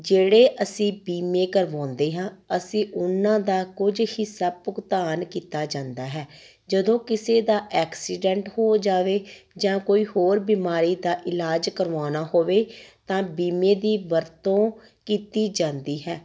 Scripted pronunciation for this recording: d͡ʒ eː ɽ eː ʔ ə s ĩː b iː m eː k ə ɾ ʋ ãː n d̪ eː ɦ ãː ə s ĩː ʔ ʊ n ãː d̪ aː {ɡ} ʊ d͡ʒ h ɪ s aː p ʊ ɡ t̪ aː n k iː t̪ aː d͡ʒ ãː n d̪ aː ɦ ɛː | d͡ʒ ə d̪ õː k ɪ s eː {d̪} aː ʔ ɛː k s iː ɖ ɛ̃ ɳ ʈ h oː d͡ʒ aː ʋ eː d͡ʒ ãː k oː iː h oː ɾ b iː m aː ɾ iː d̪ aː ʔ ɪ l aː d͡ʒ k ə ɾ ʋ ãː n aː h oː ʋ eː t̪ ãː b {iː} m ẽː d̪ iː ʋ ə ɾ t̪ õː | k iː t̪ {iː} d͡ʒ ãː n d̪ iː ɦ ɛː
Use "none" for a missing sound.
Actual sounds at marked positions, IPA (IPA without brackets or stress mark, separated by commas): k, d̪, iː, iː